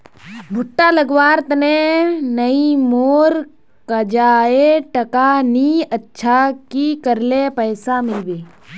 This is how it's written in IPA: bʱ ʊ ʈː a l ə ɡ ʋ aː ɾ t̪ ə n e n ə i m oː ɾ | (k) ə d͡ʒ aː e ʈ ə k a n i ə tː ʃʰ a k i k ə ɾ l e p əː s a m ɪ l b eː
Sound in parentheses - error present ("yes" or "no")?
no